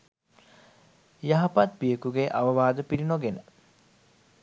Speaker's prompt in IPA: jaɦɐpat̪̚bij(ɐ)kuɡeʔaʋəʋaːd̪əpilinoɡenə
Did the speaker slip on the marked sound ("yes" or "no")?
yes